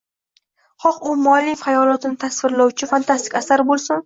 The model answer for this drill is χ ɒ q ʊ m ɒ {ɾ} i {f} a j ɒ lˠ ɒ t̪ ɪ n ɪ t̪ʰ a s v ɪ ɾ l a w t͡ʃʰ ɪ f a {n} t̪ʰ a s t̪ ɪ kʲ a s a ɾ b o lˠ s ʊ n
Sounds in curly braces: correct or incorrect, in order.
incorrect, correct, correct

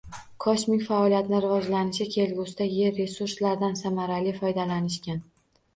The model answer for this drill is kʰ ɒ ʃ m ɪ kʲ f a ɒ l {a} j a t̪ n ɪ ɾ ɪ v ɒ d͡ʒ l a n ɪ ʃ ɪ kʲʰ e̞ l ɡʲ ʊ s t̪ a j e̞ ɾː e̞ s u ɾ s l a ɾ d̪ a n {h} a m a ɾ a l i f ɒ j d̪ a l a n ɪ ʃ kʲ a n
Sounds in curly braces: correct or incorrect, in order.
incorrect, incorrect

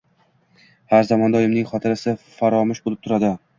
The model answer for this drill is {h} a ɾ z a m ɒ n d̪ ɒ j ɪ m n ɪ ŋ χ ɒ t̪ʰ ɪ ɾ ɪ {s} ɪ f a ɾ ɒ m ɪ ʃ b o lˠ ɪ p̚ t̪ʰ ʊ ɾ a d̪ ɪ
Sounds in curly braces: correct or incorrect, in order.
correct, correct

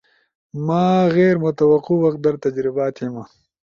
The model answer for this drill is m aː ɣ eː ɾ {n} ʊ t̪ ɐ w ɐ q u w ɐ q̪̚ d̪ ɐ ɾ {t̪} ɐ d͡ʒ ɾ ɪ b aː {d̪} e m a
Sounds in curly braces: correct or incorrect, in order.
incorrect, correct, incorrect

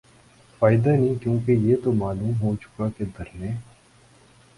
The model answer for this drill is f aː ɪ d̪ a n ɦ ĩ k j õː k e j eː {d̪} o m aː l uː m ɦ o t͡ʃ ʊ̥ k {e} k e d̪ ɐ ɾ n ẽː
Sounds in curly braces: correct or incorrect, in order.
incorrect, incorrect

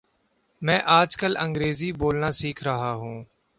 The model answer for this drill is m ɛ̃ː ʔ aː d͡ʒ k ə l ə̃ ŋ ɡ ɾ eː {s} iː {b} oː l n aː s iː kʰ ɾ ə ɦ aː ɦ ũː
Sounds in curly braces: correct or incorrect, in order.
incorrect, correct

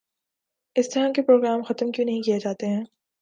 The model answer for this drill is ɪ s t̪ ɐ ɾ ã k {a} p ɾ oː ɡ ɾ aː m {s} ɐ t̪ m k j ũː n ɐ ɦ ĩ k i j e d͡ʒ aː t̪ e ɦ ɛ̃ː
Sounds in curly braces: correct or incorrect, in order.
incorrect, incorrect

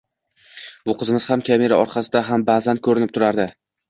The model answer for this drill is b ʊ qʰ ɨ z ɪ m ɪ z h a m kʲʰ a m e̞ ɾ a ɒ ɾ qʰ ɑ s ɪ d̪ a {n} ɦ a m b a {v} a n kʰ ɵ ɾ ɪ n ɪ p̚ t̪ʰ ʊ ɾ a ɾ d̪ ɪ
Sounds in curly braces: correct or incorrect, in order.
incorrect, incorrect

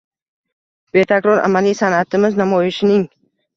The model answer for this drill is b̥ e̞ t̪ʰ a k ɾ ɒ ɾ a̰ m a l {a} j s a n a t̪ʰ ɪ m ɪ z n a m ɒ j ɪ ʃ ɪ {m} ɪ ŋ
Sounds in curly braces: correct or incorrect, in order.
incorrect, incorrect

